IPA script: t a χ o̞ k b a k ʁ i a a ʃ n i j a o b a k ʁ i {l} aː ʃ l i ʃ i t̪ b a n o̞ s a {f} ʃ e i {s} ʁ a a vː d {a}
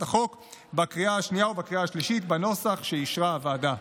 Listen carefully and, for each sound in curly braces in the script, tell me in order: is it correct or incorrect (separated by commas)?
incorrect, incorrect, incorrect, correct